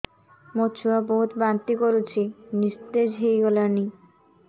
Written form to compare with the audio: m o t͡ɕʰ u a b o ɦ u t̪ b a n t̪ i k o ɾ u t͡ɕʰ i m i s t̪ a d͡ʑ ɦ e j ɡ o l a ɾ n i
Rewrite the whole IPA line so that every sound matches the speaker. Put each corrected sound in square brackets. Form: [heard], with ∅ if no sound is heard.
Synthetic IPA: m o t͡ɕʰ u a b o ɦ u t̪ b a n t̪ i k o ɾ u t͡ɕʰ i [n] i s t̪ [e] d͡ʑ ɦ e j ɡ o l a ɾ n i